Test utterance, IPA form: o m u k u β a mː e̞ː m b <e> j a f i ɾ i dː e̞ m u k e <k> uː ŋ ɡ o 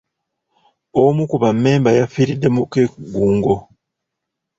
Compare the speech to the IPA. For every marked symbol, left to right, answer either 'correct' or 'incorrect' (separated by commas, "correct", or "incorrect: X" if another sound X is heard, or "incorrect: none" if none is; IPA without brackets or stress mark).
incorrect: a, incorrect: ɡ